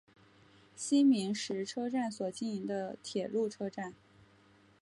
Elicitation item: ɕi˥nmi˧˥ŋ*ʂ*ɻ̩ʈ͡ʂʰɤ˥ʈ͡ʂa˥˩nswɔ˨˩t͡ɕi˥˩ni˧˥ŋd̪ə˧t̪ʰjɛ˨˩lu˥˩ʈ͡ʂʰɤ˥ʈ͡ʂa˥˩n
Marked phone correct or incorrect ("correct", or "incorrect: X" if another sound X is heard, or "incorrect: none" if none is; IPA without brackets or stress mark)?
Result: correct